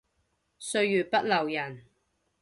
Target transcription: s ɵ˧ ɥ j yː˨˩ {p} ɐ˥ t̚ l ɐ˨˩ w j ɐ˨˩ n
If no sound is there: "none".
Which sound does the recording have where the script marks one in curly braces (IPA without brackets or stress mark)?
p